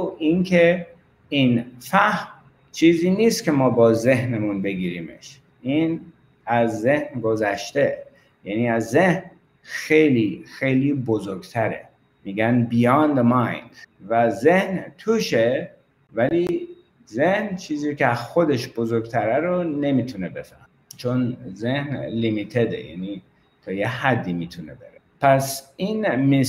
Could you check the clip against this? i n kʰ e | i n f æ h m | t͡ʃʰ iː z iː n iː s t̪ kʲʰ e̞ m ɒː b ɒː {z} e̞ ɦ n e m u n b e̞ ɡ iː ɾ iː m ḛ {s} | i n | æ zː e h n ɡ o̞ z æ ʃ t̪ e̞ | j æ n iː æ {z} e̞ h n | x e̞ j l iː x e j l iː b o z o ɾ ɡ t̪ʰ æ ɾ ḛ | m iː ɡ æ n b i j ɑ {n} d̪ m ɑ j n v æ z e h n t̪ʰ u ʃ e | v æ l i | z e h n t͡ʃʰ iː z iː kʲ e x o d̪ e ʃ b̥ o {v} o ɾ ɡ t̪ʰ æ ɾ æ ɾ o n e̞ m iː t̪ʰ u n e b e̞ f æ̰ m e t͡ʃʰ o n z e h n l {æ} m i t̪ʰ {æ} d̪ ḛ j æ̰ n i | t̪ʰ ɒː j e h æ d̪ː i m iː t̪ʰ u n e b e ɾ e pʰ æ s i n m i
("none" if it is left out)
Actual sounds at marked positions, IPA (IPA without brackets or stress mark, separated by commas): z, ʃ, zː, n, z, i, e